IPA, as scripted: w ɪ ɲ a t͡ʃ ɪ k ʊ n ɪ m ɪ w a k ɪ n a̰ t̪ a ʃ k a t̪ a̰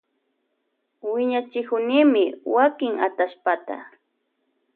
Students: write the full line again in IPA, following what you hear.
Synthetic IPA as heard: w ɪ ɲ a t͡ʃ ɪ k ʊ n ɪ m ɪ w a k ɪ ŋ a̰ t̪ a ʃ p a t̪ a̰